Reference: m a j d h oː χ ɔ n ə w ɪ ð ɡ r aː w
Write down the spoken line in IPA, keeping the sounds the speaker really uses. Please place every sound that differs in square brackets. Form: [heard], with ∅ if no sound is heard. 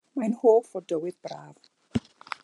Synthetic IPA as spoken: m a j [n] h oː [f] ɔ [d] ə w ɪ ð [b] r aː [v]